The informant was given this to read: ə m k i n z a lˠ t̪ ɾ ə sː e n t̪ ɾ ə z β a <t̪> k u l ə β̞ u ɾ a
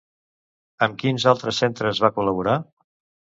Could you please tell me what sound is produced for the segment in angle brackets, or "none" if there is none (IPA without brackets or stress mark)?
none